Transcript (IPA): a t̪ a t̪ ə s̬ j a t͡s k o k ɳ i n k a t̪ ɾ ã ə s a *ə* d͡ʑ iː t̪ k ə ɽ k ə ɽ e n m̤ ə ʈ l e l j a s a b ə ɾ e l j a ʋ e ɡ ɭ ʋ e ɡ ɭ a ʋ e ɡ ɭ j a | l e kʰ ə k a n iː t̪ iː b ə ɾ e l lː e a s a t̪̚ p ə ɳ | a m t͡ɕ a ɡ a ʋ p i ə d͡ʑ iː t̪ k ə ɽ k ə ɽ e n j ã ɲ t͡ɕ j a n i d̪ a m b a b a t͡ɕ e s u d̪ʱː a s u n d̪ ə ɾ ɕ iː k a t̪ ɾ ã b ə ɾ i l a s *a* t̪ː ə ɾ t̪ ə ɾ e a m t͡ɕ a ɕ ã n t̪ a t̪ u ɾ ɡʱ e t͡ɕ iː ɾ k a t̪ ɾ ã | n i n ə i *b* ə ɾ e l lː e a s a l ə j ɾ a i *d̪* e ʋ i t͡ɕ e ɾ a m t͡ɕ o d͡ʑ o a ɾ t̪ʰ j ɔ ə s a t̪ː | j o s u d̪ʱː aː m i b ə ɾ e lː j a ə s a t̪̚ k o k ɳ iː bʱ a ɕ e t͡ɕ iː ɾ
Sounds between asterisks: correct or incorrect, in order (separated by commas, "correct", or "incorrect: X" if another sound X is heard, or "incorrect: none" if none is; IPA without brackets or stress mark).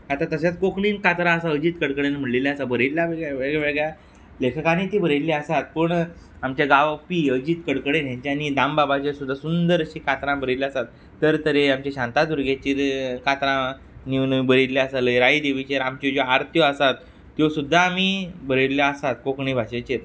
correct, correct, correct, correct